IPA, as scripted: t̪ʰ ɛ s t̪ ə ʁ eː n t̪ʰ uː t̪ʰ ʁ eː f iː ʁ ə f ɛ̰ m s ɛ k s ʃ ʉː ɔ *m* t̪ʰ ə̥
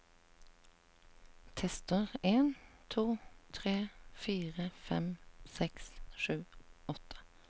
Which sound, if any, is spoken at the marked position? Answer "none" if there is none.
none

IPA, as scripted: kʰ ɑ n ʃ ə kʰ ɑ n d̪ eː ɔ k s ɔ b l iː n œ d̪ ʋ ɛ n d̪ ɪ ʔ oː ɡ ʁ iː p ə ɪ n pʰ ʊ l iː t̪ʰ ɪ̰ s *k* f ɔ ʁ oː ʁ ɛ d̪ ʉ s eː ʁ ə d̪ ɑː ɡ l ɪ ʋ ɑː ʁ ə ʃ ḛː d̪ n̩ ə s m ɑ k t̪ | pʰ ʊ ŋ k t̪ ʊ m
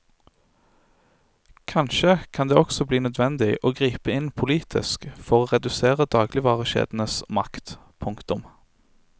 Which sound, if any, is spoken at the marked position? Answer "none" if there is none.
k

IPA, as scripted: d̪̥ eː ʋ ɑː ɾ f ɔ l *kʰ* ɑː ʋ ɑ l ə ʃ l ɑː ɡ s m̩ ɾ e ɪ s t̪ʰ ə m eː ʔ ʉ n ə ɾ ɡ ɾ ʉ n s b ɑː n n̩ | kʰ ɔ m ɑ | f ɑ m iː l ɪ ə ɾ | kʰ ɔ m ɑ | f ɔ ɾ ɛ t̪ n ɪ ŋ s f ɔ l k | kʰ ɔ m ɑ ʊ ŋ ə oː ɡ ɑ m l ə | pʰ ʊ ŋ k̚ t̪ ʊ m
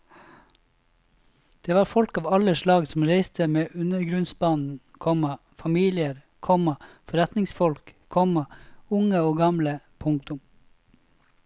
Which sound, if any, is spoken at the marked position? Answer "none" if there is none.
k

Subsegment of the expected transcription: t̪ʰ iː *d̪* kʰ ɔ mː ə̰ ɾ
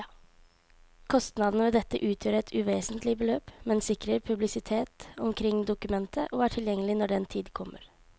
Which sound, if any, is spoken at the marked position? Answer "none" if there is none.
d̪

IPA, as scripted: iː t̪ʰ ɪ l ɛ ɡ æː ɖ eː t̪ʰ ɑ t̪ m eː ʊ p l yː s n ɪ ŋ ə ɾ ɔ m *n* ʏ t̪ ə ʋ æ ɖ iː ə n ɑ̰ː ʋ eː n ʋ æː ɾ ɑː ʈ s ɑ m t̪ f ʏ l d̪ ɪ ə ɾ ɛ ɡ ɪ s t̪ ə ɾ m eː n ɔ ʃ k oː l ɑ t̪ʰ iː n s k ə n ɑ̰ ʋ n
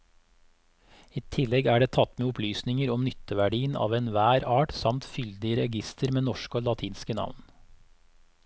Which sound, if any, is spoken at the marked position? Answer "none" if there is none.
n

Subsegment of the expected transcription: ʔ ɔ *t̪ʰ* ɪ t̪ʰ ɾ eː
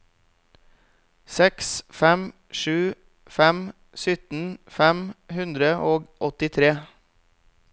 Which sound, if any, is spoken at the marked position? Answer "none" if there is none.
t̪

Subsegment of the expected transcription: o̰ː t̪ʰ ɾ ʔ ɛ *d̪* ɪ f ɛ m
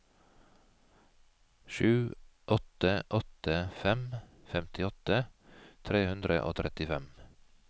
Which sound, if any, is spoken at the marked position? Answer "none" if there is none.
t̪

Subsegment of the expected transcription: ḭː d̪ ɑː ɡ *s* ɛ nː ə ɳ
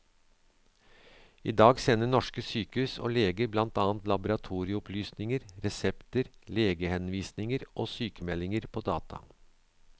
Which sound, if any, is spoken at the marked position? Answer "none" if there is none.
s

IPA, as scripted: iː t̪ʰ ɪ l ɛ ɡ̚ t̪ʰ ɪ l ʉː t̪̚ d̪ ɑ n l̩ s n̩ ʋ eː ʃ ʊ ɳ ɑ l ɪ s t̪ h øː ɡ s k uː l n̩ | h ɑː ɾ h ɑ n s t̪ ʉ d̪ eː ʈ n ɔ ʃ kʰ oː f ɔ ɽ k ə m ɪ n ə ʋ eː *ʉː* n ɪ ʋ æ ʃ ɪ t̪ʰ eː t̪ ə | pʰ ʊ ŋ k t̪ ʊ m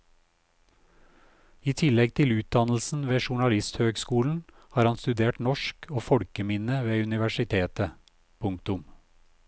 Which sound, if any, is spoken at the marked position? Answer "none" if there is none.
ʉ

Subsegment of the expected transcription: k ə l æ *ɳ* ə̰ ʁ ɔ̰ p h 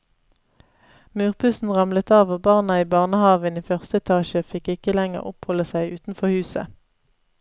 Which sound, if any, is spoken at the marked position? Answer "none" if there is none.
ŋ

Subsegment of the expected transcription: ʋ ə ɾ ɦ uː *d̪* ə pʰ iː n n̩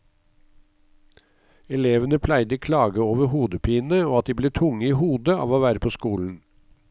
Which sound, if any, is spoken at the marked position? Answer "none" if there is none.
d̪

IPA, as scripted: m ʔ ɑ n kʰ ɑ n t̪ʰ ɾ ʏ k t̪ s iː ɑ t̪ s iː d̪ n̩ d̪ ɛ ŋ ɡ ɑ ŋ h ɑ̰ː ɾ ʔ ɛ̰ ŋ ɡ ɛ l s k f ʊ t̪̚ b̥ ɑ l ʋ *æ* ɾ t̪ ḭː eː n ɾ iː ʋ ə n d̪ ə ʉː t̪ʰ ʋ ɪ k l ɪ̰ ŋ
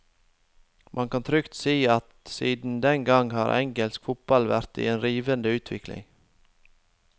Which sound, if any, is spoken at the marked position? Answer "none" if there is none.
æ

